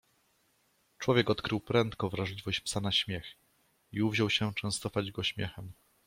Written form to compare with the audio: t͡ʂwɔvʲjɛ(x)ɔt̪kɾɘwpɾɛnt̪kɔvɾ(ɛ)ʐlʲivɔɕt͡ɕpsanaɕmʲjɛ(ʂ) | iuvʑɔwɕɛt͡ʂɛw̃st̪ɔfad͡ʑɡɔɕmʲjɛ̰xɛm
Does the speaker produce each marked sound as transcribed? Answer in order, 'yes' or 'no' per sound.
no, no, no

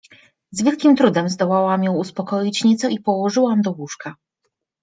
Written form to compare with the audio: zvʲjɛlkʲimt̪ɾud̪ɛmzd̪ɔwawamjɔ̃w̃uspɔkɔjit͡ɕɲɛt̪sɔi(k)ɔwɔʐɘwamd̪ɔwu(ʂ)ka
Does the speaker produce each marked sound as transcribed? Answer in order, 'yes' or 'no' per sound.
no, yes

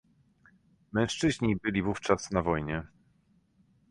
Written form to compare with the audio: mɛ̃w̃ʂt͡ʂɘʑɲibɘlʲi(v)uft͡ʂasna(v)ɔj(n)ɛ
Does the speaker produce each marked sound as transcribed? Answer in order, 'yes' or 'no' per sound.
yes, yes, no

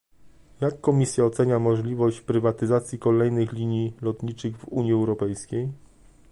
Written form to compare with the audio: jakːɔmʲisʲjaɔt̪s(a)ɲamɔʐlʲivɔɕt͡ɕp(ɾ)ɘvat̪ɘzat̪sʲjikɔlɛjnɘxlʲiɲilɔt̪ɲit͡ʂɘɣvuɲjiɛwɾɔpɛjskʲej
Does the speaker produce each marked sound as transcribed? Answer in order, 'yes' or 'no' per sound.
no, yes

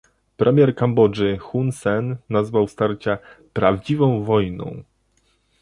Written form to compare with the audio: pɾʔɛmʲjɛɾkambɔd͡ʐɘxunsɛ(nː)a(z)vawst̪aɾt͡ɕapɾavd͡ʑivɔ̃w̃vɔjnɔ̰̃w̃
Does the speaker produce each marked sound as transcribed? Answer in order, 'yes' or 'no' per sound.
yes, yes

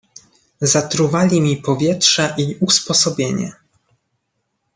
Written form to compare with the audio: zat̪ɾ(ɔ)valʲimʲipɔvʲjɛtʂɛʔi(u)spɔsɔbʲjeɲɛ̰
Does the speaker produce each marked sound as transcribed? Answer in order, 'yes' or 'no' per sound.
no, yes

